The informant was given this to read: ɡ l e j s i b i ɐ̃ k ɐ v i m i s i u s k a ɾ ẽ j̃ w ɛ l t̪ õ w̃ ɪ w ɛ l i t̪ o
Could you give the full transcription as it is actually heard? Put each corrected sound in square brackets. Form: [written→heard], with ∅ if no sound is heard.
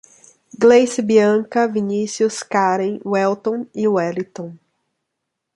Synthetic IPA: ɡ l e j s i b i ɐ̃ k ɐ v i [m→n] i s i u s k a ɾ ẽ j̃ w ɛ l t̪ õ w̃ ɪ w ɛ l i t̪ [o→õ]